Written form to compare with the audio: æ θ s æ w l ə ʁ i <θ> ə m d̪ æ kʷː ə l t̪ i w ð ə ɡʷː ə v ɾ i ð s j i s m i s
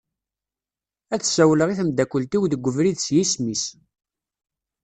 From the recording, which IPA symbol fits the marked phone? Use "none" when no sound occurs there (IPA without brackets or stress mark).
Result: θ